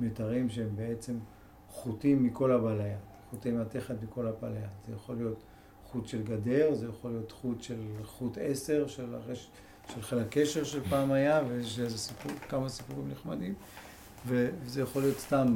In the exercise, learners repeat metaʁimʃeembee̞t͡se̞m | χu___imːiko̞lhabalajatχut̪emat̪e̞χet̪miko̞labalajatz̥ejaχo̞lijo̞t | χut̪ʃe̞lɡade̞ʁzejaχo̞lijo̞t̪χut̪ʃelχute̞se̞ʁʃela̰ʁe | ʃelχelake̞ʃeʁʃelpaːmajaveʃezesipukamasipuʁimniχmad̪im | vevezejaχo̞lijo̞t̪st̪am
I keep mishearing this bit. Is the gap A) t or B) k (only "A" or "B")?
A